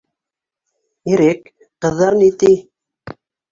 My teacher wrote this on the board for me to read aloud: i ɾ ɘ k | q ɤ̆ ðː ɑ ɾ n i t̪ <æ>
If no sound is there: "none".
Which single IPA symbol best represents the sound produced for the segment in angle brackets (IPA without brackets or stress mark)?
i